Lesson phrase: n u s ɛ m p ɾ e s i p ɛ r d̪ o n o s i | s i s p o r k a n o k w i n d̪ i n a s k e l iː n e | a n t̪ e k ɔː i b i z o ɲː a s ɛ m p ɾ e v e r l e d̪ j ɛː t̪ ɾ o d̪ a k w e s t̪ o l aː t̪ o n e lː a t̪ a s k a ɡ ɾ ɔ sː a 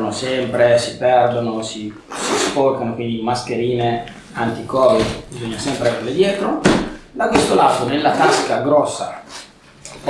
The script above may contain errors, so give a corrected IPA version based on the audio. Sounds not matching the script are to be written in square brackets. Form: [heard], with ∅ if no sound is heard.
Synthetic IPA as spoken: n [o] s ɛ m p ɾ e s i p ɛ r d̪ o n o s i | s i s p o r k a n o k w i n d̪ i [m] a s k e [ɾ] iː n e | a n t̪ [i] k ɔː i b i z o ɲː a s ɛ m p ɾ e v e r l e d̪ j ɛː t̪ ɾ o d̪ a k w e s t̪ o l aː t̪ o n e lː a t̪ a s k a ɡ ɾ ɔ sː a